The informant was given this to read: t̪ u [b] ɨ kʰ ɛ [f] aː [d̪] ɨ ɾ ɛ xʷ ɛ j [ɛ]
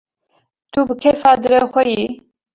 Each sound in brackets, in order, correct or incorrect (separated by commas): correct, correct, correct, incorrect